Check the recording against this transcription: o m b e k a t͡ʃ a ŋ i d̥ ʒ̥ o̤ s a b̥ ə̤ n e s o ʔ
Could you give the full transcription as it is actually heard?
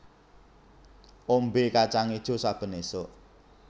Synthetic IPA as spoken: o m b e k a t͡ʃ a ŋ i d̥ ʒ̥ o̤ s a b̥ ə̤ n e s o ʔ

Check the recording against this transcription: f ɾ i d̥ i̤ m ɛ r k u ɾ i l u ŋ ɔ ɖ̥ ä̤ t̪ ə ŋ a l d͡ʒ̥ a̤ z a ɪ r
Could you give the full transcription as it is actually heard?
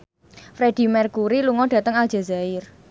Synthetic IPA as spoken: f ɾ e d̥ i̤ m ɛ r k u ɾ i l u ŋ ɔ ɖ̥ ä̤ t̪ ə ŋ a l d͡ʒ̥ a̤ z a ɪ r

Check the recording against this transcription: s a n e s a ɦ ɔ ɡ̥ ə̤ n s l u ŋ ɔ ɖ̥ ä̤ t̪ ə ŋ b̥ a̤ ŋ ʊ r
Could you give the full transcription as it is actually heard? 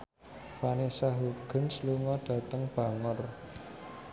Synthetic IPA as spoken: f a n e s a ɦ u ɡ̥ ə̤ n s l u ŋ ɔ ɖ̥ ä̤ t̪ ə ŋ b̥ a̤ ŋ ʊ r

